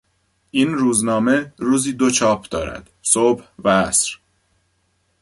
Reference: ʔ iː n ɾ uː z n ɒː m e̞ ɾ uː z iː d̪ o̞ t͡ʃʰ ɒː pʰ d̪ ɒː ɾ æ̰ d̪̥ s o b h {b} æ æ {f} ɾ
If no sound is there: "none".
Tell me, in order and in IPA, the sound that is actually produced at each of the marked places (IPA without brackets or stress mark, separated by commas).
v, s